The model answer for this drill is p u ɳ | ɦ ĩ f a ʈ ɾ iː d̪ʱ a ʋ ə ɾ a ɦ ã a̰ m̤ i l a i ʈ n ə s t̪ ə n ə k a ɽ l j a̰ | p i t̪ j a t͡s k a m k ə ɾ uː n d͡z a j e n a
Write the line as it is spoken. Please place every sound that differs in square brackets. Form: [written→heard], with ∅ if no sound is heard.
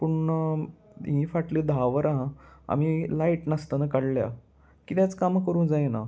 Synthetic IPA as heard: p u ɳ | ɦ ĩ f a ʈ [ɾ→l] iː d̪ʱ a ʋ ə ɾ a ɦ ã a̰ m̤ i l a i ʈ n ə s t̪ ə n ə k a ɽ l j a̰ | [p→k] i t̪ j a t͡s k a m k ə ɾ uː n d͡z a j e n a

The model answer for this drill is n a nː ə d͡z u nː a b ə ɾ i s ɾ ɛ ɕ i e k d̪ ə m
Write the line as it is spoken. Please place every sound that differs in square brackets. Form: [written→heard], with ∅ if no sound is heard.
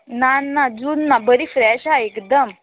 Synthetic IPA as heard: n a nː [ə→a] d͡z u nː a b ə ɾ i [s→f] ɾ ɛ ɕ [i→a] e k d̪ ə m

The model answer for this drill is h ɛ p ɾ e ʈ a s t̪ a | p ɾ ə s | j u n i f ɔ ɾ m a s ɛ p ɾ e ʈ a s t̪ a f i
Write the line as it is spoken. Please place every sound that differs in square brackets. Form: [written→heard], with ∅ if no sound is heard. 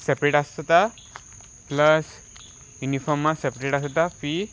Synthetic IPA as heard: [h→s] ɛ p ɾ e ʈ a s t̪ a | p [ɾ→l] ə s | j u n i f ɔ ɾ m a s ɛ p ɾ e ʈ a s t̪ a f i

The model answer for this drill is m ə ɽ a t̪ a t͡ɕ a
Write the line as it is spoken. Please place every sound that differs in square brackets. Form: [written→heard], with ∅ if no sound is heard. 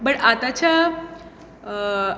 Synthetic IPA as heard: [m→b] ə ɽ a t̪ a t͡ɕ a

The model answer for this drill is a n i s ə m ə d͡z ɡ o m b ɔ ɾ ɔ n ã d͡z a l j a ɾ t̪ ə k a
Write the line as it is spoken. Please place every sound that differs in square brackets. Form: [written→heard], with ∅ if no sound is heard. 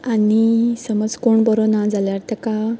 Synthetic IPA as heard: a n i s ə m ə d͡z [ɡ→k] o [m→ɳ] b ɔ ɾ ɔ n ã d͡z a l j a ɾ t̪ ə k a

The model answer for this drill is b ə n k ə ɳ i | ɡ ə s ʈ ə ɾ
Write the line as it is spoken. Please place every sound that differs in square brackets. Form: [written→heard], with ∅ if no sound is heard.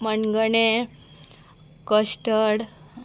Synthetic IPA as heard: [b→m] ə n [k→ɡ] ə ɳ [i→e] | [ɡ→k] ə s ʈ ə [ɾ→ɽ]

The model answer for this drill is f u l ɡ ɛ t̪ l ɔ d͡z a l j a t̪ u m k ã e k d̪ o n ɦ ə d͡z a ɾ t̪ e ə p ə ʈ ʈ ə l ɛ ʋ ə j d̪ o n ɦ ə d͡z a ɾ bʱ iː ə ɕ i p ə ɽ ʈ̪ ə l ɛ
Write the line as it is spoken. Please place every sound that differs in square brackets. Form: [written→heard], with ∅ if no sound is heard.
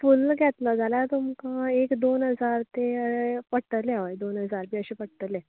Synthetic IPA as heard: f u l ɡ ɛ t̪ l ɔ d͡z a l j a t̪ u m k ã e k d̪ o n ɦ ə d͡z a ɾ t̪ e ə p ə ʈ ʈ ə l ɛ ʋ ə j d̪ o n ɦ ə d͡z a ɾ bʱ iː ə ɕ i p ə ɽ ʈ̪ ə l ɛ

